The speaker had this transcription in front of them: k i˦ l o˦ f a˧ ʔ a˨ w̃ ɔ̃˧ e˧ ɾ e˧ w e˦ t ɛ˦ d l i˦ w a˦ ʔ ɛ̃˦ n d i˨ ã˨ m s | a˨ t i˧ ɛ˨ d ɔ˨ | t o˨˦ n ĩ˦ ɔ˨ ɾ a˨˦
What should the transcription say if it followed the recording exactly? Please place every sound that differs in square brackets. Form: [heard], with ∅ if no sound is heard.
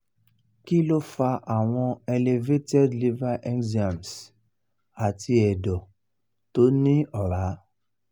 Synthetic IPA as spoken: k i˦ l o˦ f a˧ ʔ a˨ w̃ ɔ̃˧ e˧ [l] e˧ [v] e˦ t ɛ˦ d l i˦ [v] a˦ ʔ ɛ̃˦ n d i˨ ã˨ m s | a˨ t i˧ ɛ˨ d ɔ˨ | t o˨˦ n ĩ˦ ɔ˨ ɾ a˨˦